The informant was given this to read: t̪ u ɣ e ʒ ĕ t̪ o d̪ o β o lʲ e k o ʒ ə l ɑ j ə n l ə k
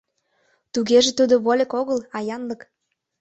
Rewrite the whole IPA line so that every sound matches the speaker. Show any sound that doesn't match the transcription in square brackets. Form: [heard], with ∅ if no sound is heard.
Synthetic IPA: t̪ u ɣ e ʒ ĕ t̪ [u] d̪ o β o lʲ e k o [ɣ] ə l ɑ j [ɑ] n l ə k